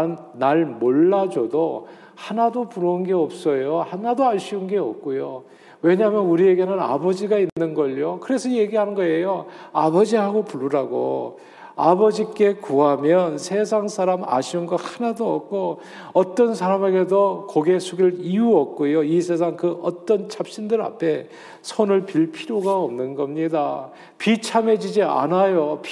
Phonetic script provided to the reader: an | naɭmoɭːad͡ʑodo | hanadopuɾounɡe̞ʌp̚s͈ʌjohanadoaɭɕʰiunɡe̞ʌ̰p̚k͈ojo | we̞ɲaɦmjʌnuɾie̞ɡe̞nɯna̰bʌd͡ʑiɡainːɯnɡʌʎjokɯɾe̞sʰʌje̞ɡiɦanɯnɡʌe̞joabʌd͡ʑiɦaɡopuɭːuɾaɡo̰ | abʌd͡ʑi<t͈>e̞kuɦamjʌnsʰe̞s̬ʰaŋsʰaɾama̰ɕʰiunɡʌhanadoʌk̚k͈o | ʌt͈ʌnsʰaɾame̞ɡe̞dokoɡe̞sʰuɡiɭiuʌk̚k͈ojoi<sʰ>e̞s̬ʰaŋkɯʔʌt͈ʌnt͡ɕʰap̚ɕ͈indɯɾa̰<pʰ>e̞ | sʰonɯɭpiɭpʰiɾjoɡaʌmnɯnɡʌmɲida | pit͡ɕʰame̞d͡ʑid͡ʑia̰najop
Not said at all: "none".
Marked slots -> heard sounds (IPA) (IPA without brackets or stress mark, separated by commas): k͈, sʰ, pʰ